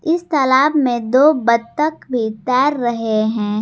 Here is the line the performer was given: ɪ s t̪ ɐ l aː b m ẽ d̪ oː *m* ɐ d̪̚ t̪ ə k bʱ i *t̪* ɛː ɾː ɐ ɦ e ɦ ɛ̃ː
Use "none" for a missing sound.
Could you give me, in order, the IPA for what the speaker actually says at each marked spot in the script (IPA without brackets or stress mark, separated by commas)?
b, t̪